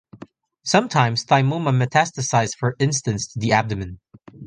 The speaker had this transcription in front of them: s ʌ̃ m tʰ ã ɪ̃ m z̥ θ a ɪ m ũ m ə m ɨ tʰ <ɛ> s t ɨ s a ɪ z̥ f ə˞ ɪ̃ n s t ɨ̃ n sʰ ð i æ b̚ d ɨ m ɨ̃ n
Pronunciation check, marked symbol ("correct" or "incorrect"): incorrect